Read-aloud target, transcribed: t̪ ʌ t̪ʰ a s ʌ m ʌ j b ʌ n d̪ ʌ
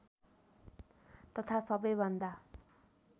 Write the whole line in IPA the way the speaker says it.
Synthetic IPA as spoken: t̪ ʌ t̪ʰ a s ʌ b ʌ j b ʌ n d̪ a